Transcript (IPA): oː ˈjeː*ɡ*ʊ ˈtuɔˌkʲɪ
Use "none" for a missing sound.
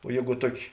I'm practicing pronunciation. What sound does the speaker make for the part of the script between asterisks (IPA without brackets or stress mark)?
ɡ